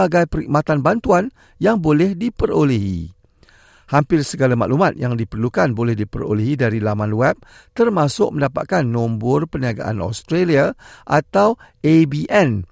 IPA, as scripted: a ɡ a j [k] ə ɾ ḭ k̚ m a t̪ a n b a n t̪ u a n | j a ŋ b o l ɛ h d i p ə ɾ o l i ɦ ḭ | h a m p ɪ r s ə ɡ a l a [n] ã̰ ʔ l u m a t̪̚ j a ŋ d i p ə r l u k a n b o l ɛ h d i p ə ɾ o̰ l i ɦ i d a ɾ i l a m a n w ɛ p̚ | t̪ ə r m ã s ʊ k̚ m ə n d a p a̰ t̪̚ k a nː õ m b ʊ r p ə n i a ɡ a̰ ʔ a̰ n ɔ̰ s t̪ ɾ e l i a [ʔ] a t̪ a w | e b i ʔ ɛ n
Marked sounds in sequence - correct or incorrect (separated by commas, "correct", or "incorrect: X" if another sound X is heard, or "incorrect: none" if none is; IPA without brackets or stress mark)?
incorrect: p, incorrect: m, correct